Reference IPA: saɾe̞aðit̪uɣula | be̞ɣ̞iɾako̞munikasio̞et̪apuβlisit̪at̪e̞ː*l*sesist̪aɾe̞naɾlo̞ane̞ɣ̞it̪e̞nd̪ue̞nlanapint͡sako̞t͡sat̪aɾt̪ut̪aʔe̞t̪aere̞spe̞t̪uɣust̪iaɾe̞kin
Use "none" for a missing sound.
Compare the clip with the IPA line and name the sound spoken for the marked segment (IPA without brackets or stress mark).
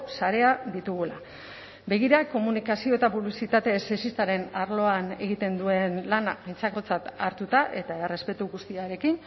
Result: none